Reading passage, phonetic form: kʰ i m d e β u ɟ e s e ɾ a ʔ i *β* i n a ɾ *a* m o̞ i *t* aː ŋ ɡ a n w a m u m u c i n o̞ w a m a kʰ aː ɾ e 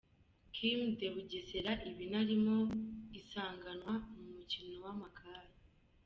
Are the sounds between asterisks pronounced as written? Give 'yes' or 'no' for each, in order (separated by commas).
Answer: yes, no, no